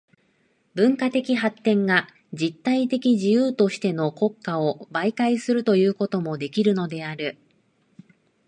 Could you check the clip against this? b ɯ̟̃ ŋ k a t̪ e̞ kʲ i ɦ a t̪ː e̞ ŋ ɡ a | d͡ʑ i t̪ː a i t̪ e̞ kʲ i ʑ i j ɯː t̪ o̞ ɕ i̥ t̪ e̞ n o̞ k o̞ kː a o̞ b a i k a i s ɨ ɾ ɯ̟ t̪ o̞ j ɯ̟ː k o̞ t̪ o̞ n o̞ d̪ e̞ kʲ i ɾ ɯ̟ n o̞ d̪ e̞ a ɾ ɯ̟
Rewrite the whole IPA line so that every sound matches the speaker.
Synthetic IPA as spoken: b ɯ̟̃ ŋ k a t̪ e̞ kʲ i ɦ a t̪ː ẽ̞ ŋ ɡ a | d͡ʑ i t̪ː a i t̪ e̞ kʲ i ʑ i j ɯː t̪ o̞ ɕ i̥ t̪ e̞ n o̞ k o̞ kː a o̞ b a i k a i s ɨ ɾ ɯ̟ t̪ o̞ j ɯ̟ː k o̞ t̪ o̞ m o̞ d̪ e̞ kʲ i ɾ ɯ̟ n o̞ d̪ e̞ a ɾ ɯ̟

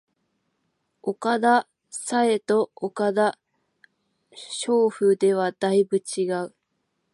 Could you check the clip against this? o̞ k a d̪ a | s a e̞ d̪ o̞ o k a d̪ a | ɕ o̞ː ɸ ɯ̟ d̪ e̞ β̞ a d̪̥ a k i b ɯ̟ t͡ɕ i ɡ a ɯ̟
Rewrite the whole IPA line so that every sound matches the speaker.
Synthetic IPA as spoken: o̞ k a d̪ a | s a e̞ t̪ o̞ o k a d̪ a | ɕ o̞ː ɸ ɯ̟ d̪ e̞ β̞ a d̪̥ a i b ɯ̟ t͡ɕ i ɡ a ɯ̟

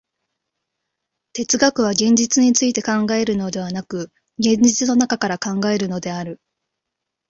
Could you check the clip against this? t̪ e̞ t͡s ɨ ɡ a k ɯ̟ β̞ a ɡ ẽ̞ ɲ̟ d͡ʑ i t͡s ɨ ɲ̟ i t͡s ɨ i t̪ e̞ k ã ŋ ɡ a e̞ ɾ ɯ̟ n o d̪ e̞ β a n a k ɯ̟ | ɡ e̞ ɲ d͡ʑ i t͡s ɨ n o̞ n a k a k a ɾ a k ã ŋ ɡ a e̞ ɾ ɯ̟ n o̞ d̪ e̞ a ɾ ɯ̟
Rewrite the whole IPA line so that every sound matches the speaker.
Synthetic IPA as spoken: t̪ e̞ t͡s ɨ ɡ a k ɯ̟ β̞ a ɡ ẽ̞ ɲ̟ d͡ʑ i t͡s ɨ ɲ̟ i t͡s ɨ i t̪ e̞ k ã ŋ ɡ a e̞ ɾ ɯ̟ n o d̪ e̞ β a n a k ɯ̟ | ɡ ẽ̞ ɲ d͡ʑ i t͡s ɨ n o̞ n a k a k a ɾ a k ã ŋ ɡ a e̞ ɾ ɯ̟ n o̞ d̪ e̞ a ɾ ɯ̟

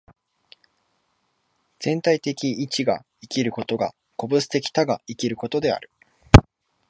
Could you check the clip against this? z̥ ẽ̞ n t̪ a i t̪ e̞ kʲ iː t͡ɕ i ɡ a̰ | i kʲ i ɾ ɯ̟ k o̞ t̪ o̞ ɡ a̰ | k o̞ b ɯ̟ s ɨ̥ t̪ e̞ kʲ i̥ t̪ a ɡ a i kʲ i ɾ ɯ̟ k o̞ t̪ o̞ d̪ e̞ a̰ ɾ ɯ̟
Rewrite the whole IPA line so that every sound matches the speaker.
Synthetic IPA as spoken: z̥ ẽ̞ n t̪ a i t̪ e̞ kʲ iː t͡ɕ i ɡ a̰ | i kʲ i ɾ ɯ̟ k o̞ t̪ o̞ ɡ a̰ | k o̞ b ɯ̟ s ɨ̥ t̪ e̞ kʲ i̥ t̪ a ɡ a i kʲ i ɾ ɯ̟ k o̞ t̪ o̞ d̪ e̞ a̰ ɾ ɯ̟

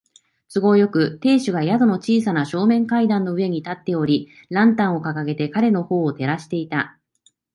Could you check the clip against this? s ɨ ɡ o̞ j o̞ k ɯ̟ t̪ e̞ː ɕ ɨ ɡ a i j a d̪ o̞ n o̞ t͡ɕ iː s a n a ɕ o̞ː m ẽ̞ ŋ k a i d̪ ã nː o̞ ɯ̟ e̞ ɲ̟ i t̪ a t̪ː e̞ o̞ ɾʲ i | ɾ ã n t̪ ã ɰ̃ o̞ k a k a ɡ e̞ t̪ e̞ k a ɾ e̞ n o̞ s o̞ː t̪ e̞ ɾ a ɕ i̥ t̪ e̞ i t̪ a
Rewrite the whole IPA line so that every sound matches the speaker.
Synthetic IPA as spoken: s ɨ ɡ o̞ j o̞ k ɯ̟ t̪ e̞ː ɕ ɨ ɡ a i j a d̪ o̞ n o̞ t͡ɕ iː s a n a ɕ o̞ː m ẽ̞ ŋ k a i d̪ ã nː o̞ ɯ̟ e̞ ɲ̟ i t̪ a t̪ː e̞ o̞ ɾʲ i | ɾ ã n t̪ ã ɰ̃ o̞ k a k a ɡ e̞ t̪ e̞ k a ɾ e̞ n o̞ h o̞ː t̪ e̞ ɾ a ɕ i̥ t̪ e̞ i t̪ a

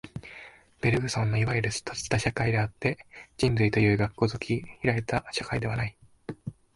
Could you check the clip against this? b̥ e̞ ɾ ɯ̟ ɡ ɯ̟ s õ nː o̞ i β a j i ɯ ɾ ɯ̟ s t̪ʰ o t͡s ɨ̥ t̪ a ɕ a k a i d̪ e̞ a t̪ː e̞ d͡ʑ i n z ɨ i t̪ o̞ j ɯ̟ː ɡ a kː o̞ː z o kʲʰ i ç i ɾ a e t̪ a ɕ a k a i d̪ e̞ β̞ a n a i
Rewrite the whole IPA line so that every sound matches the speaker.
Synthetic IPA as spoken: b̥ e̞ ɾ ɯ̟ ɡ ɯ̟ s õ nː o̞ i β a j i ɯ ɾ ɯ̟ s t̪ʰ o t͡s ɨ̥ t̪ a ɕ a k a i d̪ e̞ a t̪ː e̞ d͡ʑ ĩ n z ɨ i t̪ o̞ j ɯ̟ː ɡ a kː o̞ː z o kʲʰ i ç i ɾ a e t̪ a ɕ a k a i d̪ e̞ β̞ a n a i

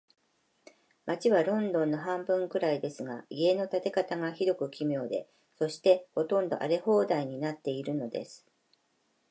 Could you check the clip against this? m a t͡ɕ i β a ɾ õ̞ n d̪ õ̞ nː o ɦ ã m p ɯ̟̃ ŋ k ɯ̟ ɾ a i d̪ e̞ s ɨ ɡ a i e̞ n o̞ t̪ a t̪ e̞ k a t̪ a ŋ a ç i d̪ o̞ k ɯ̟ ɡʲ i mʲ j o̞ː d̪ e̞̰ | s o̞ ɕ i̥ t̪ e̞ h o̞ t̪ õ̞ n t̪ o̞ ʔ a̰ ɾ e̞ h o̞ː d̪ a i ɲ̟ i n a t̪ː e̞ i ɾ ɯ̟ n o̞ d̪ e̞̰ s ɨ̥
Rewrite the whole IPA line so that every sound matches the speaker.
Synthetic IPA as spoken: m a t͡ɕ i β a ɾ õ̞ n d̪ õ̞ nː o ɦ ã m b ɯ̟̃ ŋ k ɯ̟ ɾ a i d̪ e̞ s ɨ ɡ a i e̞ n o̞ t̪ a t̪ e̞ k a t̪ a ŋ a ç i d̪ o̞ k ɯ̟ kʲ i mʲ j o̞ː d̪ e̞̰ | s o̞ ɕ i̥ t̪ e̞ h o̞ t̪ õ̞ n d̪ o̞ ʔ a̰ ɾ e̞ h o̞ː d̪ a i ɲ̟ i n a t̪ː e̞ i ɾ ɯ̟ n o̞ d̪ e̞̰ s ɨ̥

